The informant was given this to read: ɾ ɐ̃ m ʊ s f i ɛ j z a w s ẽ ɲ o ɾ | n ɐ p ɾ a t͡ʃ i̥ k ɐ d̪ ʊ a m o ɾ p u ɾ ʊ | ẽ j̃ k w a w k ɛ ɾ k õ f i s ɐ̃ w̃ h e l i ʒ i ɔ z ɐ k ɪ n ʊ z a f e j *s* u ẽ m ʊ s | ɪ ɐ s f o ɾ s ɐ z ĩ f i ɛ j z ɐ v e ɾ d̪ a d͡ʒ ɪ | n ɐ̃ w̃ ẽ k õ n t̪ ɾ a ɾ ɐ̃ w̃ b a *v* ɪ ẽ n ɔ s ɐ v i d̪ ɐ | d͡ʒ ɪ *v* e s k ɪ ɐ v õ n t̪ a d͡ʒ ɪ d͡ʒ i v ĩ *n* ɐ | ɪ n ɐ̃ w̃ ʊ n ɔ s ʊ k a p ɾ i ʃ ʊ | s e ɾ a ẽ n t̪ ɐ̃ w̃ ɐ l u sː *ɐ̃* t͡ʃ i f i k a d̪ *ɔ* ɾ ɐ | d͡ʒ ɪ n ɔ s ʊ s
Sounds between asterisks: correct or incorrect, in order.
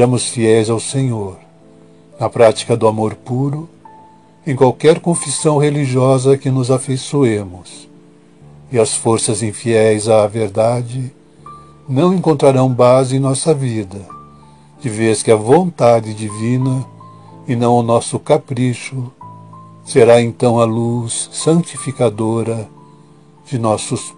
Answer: correct, incorrect, correct, correct, correct, incorrect

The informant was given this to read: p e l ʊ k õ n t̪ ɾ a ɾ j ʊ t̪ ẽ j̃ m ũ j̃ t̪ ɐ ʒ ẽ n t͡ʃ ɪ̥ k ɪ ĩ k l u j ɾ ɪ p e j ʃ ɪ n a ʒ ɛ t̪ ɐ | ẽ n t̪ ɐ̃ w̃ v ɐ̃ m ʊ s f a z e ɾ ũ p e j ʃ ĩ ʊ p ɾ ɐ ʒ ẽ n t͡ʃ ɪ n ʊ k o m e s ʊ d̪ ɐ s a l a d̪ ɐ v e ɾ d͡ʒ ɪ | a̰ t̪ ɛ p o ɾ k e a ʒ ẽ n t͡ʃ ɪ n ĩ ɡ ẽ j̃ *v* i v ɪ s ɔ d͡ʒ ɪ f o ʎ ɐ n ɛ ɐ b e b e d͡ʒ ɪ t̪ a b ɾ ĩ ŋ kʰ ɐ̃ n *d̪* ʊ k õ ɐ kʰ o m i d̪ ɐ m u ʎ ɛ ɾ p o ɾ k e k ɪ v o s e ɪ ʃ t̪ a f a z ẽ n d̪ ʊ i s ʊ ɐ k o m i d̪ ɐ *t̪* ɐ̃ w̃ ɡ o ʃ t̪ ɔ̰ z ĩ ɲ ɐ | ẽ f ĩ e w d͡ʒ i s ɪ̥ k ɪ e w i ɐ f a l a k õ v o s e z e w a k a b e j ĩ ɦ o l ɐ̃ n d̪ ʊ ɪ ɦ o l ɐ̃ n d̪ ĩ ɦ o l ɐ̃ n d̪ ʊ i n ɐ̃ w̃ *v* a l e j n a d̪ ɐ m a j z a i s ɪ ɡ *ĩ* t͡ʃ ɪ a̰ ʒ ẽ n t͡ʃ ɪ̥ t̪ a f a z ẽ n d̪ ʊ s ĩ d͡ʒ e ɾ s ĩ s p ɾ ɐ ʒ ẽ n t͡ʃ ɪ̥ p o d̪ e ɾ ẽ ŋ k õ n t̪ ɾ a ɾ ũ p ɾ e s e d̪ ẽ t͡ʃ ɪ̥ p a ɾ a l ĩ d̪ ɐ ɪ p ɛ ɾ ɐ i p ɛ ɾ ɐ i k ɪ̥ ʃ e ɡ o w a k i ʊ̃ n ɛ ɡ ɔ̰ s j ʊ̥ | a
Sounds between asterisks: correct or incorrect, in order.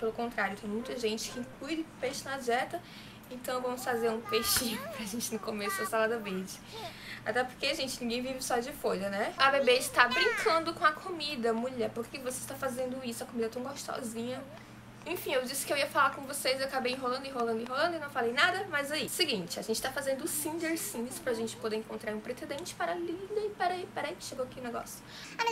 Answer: correct, correct, correct, incorrect, correct

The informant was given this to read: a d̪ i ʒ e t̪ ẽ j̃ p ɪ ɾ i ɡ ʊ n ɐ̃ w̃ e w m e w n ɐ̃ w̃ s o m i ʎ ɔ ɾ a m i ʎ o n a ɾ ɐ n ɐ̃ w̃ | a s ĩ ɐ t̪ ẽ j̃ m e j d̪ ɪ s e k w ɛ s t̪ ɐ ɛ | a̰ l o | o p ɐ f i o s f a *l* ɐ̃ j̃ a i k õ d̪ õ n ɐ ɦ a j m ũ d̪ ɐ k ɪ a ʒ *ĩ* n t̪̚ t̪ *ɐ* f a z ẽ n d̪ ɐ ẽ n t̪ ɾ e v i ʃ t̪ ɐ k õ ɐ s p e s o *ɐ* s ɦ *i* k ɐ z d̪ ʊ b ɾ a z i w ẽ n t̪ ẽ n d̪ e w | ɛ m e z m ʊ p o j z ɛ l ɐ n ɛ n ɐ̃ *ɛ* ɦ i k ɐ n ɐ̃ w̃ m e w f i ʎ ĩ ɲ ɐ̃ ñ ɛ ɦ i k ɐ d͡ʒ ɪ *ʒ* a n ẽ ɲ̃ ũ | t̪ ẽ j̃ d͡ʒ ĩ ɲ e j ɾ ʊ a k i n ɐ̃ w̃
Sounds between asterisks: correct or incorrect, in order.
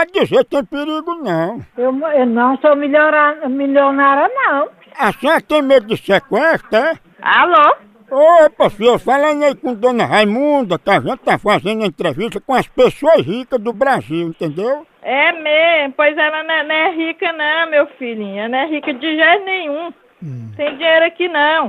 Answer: correct, incorrect, incorrect, correct, correct, correct, correct

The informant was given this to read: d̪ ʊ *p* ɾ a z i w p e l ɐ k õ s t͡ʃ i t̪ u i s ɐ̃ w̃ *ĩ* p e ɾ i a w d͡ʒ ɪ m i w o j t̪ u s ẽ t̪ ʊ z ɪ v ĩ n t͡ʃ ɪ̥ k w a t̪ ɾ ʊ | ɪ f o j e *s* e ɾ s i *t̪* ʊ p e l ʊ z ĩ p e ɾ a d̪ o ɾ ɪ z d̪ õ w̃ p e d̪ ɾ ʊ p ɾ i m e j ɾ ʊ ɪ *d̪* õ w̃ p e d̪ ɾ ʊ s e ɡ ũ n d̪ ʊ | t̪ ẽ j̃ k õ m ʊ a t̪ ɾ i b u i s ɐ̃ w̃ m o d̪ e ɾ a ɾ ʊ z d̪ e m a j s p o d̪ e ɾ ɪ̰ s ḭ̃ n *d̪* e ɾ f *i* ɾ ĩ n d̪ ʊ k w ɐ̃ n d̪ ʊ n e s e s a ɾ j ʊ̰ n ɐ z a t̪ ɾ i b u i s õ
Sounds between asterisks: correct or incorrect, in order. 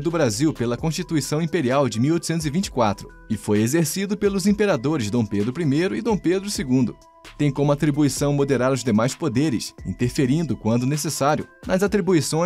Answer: incorrect, correct, incorrect, incorrect, correct, incorrect, incorrect

